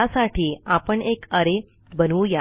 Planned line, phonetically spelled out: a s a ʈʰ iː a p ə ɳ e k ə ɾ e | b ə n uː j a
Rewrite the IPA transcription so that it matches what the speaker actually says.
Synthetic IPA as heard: a s a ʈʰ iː a p ə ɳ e k ə ɾ e | b ə n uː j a